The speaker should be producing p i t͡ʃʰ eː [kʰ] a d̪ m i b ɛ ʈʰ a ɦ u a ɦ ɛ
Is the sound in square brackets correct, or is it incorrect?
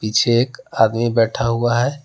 incorrect: k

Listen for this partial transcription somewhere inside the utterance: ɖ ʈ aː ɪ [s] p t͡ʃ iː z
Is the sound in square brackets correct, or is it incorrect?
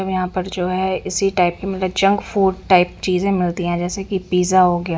incorrect: none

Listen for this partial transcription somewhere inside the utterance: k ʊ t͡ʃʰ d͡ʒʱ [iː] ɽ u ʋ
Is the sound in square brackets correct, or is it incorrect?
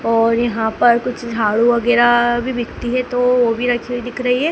incorrect: aː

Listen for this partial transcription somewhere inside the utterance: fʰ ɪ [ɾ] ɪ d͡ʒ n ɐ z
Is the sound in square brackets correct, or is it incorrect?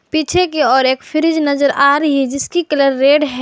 correct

